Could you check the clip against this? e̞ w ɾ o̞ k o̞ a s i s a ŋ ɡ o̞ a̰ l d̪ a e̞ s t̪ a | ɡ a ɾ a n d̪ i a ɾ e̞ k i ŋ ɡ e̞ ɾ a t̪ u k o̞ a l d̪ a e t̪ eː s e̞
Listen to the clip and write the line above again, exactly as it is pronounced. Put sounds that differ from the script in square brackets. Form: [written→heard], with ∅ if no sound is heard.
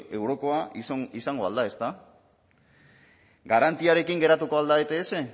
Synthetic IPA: e̞ w ɾ o̞ k o̞ a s i s a ŋ ɡ o̞ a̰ l d̪ a e̞ s t̪ a | ɡ a ɾ a n [d̪→t̪] i a ɾ e̞ k i ŋ ɡ e̞ ɾ a t̪ u k o̞ a l d̪ a e t̪ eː s e̞